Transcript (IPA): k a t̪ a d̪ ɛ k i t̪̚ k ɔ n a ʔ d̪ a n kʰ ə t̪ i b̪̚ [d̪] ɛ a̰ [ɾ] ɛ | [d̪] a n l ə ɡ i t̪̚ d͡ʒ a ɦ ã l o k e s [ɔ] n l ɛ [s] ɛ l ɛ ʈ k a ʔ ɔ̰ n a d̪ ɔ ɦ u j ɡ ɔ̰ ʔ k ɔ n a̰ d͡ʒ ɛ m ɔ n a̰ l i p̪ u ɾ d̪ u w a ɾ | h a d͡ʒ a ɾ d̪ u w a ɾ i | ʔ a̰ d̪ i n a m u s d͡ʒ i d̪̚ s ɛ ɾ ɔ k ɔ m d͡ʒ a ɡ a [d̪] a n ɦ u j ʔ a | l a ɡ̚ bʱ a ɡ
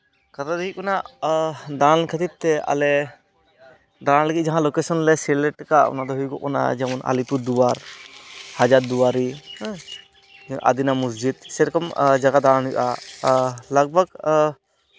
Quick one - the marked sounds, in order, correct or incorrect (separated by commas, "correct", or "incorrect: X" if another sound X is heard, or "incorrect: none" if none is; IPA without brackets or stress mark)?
incorrect: t̪, incorrect: l, correct, correct, correct, correct